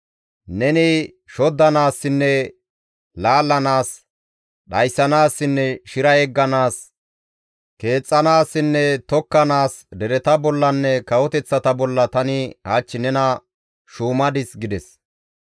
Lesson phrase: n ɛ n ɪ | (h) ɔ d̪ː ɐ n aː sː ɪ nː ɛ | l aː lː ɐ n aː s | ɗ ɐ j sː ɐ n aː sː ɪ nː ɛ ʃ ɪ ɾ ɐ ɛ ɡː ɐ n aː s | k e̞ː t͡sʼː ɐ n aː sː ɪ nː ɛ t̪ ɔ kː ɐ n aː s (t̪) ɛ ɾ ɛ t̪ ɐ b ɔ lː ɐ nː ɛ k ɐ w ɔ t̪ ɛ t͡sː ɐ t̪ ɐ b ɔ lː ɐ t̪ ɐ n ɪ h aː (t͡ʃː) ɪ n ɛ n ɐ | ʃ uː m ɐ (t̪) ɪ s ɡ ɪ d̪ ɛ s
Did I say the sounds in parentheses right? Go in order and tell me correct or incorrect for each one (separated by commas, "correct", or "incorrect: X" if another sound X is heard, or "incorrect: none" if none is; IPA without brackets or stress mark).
incorrect: ʃ, incorrect: d̪, correct, incorrect: d̪